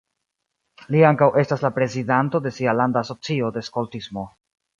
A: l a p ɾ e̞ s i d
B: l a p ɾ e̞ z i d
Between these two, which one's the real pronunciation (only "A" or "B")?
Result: B